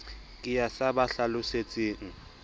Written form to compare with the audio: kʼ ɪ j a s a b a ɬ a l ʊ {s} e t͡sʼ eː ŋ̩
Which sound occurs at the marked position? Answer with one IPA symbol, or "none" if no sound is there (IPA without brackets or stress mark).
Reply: s